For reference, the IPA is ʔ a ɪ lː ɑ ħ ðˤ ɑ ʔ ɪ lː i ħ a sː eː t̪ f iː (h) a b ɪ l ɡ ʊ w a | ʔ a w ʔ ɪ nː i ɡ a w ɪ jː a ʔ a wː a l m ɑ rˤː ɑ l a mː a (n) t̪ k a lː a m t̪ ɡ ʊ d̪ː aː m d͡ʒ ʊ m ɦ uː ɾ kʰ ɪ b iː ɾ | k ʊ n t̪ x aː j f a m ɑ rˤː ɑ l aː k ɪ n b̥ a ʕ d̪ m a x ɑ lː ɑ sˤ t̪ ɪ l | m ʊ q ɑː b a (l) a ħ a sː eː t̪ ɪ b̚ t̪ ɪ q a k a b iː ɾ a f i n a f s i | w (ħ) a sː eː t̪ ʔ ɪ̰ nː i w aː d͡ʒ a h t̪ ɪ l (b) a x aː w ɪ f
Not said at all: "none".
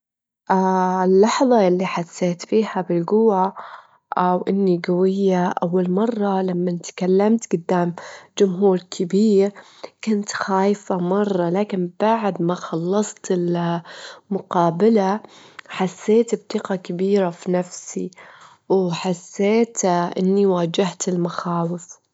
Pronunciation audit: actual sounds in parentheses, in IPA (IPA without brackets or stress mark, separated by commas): h, n, l, ħ, m